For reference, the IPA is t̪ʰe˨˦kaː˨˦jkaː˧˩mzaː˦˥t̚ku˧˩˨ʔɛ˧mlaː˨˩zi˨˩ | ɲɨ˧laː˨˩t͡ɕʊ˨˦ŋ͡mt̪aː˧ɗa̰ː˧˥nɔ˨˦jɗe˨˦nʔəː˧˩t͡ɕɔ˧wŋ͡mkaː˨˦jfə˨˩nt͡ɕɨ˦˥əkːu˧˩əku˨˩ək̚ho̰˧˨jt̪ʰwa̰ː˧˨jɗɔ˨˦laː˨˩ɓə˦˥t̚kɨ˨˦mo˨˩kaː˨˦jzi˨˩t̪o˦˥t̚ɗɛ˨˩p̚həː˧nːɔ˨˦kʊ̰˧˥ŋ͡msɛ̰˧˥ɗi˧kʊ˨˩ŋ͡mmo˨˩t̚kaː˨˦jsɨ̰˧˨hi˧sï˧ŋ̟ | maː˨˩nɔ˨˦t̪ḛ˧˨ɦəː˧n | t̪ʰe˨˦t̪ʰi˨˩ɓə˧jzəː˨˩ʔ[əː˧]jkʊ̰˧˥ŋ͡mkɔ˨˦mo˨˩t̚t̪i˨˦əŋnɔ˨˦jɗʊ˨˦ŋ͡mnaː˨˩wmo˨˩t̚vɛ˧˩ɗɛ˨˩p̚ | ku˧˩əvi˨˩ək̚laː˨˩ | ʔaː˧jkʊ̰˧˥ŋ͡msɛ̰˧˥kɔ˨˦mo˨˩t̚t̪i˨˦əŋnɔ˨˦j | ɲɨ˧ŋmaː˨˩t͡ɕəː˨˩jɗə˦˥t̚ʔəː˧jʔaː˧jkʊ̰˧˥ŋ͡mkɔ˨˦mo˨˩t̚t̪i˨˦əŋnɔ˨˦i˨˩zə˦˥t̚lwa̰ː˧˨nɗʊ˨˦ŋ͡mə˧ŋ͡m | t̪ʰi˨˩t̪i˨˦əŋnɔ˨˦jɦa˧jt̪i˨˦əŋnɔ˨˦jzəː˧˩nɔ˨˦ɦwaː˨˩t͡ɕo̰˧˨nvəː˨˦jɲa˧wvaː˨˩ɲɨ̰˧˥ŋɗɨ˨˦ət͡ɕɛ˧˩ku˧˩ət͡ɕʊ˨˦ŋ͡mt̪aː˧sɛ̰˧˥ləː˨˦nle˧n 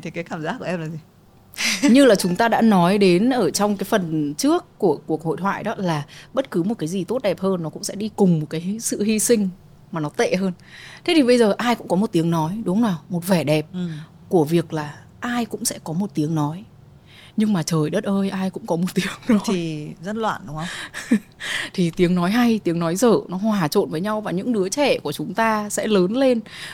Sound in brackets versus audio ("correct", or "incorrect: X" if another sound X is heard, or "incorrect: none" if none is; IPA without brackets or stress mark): incorrect: aː˧